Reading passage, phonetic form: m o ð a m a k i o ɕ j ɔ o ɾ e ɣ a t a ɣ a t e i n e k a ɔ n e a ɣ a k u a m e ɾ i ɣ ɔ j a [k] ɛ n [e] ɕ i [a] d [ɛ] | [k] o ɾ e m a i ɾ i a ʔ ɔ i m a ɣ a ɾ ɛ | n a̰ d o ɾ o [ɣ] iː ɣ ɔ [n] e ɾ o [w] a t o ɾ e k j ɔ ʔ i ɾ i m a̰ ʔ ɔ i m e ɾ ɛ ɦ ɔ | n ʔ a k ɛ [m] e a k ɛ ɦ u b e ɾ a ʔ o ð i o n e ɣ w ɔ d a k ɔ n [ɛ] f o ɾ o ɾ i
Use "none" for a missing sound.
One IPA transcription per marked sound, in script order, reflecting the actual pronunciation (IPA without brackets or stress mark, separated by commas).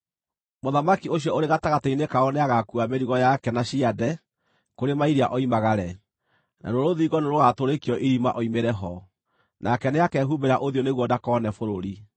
k, a, a, ɛ, k, ð, n, ɣ, n, ɛ